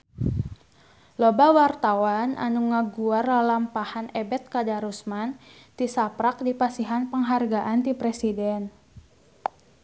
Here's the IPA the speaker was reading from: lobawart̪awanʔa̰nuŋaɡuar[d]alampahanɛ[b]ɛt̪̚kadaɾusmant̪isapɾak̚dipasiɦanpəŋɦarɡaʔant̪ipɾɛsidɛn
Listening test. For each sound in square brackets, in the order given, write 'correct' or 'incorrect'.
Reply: correct, correct

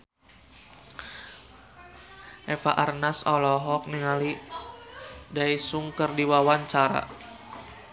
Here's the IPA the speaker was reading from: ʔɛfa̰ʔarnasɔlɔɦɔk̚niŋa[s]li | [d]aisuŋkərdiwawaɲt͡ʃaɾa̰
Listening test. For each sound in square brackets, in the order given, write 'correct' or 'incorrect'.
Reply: incorrect: none, correct

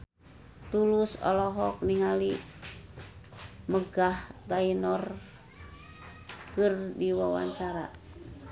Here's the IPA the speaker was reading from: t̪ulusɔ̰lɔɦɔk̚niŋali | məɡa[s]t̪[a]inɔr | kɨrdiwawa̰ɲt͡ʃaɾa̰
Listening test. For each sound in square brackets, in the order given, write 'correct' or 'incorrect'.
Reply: incorrect: h, correct

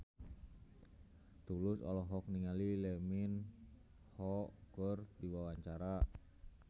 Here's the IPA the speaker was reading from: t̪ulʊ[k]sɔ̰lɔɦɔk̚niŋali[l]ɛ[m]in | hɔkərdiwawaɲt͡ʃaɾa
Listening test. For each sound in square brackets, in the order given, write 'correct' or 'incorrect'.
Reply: incorrect: none, correct, correct

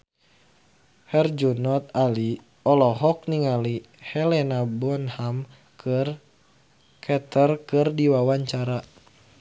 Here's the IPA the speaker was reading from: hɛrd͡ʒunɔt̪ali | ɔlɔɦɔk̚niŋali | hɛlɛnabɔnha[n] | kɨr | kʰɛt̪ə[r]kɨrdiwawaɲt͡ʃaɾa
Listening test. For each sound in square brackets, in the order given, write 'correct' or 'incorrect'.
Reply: incorrect: m, correct

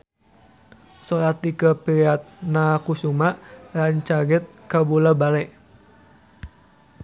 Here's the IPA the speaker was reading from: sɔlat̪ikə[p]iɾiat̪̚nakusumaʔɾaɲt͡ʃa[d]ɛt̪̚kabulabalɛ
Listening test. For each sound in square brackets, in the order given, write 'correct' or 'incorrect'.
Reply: correct, incorrect: ɡ

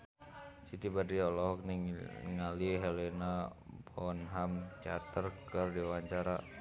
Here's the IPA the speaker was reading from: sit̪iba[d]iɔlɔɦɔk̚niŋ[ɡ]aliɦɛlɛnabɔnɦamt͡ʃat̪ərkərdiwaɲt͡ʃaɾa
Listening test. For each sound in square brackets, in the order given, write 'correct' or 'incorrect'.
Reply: correct, incorrect: ŋ

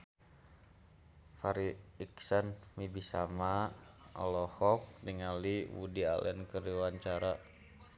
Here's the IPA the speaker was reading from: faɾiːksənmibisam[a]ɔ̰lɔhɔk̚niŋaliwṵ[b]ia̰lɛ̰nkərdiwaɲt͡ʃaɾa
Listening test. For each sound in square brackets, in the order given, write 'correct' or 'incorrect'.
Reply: correct, incorrect: d

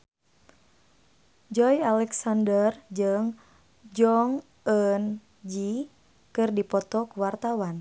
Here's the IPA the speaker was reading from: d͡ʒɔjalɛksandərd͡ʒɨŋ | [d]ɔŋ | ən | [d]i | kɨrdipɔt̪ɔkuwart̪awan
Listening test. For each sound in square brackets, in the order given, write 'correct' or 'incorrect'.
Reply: incorrect: d͡ʒ, incorrect: d͡ʒ

